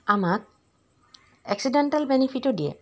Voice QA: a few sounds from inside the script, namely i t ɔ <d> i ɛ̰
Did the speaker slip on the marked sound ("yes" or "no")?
no